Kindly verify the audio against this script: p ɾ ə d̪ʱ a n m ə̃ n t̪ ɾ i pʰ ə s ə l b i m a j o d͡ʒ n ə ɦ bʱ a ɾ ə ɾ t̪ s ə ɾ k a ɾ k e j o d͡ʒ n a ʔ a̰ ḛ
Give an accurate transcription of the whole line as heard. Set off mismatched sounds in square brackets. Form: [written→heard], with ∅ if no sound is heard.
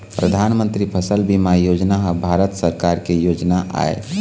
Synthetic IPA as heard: p ɾ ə d̪ʱ a n m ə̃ n t̪ ɾ i pʰ ə s ə l b i m a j o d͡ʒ n [ə→a] ɦ bʱ a ɾ ə [ɾ→∅] t̪ s ə ɾ k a ɾ k e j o d͡ʒ n a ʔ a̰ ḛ

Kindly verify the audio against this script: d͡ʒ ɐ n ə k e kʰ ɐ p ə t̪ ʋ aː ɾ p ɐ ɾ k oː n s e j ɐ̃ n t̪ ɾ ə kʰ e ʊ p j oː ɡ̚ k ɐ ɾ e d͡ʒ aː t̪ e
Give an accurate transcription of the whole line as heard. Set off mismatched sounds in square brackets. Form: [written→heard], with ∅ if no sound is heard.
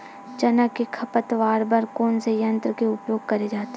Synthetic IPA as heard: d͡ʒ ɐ n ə k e kʰ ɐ p ə t̪ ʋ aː ɾ [p→b] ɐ ɾ k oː n s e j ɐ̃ n t̪ ɾ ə [kʰ→k] e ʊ p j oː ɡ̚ k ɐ ɾ e d͡ʒ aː t̪ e

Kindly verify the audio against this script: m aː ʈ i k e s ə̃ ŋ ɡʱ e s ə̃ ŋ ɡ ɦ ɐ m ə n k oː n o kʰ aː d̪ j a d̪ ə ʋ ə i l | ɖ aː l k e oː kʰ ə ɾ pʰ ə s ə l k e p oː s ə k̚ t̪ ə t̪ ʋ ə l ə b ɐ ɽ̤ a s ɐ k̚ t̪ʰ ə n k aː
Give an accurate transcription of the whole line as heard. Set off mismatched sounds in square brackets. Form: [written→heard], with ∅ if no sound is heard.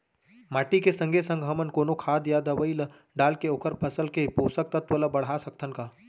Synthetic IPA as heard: m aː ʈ i k e s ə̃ ŋ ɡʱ e s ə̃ ŋ ɡ ɦ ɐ m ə n k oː n o kʰ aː d̪ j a d̪ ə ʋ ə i l | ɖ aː l k e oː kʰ ə ɾ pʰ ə s ə l k e p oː s ə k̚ t̪ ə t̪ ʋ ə l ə b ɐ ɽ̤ a s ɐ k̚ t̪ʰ ə n k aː

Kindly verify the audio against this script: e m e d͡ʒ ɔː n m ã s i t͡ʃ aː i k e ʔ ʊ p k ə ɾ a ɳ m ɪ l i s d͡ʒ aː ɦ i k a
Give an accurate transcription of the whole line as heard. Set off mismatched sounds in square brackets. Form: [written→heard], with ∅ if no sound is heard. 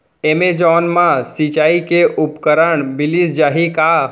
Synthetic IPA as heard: e m e d͡ʒ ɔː n m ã s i t͡ʃ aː i k e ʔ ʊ p k ə ɾ [a→ə] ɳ [m→b] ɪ l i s d͡ʒ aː ɦ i k a

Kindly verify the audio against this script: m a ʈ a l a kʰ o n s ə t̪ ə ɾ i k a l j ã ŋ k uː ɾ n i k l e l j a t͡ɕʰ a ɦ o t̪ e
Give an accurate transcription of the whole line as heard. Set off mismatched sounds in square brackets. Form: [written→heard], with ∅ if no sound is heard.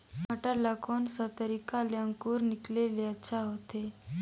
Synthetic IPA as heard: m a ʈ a l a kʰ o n s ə t̪ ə ɾ i k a l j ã ŋ k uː ɾ n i k l e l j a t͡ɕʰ a ɦ o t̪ e

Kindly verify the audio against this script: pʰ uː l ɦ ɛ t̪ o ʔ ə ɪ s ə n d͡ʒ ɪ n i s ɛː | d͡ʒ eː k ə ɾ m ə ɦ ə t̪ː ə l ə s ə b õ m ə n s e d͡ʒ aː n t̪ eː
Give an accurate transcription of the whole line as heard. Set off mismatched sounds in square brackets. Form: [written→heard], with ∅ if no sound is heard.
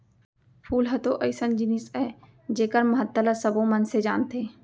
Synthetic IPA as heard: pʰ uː l ɦ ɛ t̪ o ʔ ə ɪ s ə n d͡ʒ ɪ n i s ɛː | d͡ʒ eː k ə ɾ m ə ɦ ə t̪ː ə l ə s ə b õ m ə n s e d͡ʒ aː n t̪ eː

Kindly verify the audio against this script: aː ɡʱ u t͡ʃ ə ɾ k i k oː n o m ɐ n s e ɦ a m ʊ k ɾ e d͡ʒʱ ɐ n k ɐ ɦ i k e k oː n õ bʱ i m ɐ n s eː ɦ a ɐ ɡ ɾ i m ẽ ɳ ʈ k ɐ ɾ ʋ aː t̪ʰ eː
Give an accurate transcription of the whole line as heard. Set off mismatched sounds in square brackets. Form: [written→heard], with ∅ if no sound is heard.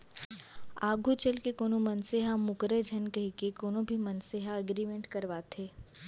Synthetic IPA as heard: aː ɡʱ u t͡ʃ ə [ɾ→l] k [i→e] k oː n o m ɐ n s e ɦ a m ʊ k ɾ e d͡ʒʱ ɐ n k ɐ ɦ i k e k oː n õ bʱ i m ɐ n s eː ɦ a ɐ ɡ ɾ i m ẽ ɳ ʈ k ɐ ɾ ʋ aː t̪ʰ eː

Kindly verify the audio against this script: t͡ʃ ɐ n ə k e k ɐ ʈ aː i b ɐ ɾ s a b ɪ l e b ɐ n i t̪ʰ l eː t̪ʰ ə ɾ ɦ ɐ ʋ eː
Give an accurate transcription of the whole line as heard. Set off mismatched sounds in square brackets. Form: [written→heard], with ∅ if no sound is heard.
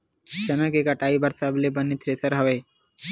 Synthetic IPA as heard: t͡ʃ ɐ n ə k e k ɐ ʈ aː i b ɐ ɾ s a b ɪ l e b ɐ n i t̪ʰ [l→ɾ] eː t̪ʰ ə ɾ ɦ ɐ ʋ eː

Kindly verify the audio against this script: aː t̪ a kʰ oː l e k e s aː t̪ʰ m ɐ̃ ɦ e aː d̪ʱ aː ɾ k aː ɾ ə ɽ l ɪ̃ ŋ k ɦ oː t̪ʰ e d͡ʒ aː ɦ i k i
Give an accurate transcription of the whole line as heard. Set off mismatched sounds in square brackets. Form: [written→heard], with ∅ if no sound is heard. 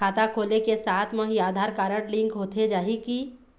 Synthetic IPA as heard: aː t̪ a kʰ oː l e k e s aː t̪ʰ m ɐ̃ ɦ [e→i] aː d̪ʱ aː ɾ k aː ɾ ə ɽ l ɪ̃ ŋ k ɦ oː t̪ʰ e d͡ʒ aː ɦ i k i

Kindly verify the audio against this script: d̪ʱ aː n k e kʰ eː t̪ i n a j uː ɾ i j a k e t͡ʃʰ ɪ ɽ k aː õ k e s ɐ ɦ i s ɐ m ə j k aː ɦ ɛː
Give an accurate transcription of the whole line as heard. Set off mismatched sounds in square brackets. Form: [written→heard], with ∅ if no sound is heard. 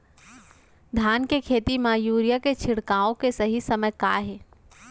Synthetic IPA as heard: d̪ʱ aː n k e kʰ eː t̪ i [n→m] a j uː ɾ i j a k e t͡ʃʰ ɪ ɽ k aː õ k e s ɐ ɦ i s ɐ m ə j k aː ɦ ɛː

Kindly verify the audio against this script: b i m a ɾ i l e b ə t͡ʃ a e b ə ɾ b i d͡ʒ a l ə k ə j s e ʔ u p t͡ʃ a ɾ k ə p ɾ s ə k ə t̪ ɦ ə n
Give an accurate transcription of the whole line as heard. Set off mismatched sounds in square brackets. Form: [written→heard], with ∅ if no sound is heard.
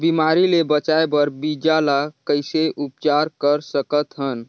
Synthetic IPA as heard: b i m a ɾ i l e b ə t͡ʃ a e b ə ɾ b i d͡ʒ a l [ə→a] k ə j s e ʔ u p t͡ʃ a ɾ k ə [p→∅] ɾ s ə k ə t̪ ɦ ə n

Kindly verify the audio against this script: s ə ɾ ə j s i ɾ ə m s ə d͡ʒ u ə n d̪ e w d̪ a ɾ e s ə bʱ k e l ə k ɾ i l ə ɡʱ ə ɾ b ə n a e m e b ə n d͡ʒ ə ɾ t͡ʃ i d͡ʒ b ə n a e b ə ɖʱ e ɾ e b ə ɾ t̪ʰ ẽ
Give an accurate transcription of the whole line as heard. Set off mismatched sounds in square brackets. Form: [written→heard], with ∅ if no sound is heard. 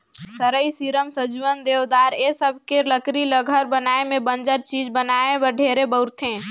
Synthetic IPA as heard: s ə ɾ ə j s i ɾ ə m s ə d͡ʒ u ə n d̪ e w d̪ a ɾ e s ə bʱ k e l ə k ɾ i l ə ɡʱ ə ɾ b ə n a e m e b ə n d͡ʒ ə ɾ t͡ʃ i d͡ʒ b ə n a e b ə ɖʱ e ɾ e b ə ɾ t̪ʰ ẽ

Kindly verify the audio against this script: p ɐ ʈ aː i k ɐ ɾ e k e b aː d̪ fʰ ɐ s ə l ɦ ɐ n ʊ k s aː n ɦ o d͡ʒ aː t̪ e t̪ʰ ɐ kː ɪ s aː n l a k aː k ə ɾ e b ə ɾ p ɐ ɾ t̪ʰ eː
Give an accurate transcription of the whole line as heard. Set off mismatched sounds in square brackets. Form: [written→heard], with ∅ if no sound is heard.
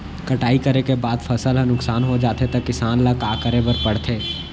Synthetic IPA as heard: [p→k] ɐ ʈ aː i k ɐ ɾ e k e b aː d̪ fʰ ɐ s ə l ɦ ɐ n ʊ k s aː n ɦ o d͡ʒ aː t̪ e [t̪ʰ→t̪] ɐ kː ɪ s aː n l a k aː k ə ɾ e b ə ɾ p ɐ [ɾ→ɽ] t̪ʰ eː

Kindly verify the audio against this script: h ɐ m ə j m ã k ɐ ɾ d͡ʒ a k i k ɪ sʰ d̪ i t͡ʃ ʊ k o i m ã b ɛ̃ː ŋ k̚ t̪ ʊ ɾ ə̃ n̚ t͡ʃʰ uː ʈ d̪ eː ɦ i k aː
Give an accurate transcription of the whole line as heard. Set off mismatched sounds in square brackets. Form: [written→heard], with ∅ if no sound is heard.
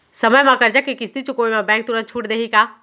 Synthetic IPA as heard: [h→s] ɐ m ə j m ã k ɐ ɾ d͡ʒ a k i k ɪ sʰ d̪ i t͡ʃ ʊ k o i m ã b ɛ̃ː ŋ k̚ t̪ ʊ ɾ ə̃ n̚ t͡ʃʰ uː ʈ d̪ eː ɦ i k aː

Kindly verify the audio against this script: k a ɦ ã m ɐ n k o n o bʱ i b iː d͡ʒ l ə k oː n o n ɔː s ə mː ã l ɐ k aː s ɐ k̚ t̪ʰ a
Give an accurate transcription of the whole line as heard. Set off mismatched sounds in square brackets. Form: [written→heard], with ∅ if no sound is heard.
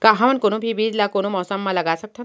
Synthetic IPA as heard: k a ɦ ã m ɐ n k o n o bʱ i b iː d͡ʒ l [ə→a] k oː n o [n→m] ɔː s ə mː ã l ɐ [k→ɡ] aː s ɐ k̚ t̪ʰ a

